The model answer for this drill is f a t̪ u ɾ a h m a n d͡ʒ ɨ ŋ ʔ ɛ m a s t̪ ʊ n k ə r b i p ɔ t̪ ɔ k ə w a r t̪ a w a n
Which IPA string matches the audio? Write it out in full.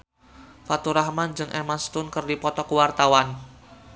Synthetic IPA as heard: f a t̪ u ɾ a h m a n d͡ʒ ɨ ŋ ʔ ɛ m a s t̪ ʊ n k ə r d i p ɔ t̪ ɔ k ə w a r t̪ a w a n